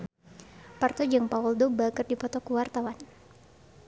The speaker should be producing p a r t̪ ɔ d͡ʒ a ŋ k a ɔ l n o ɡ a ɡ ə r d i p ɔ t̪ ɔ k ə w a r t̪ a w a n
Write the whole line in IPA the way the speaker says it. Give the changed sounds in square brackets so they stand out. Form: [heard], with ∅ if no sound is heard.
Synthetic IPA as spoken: p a r t̪ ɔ d͡ʒ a ŋ [p] a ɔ l [d] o [b] a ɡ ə r d i p ɔ t̪ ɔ k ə w a r t̪ a w a n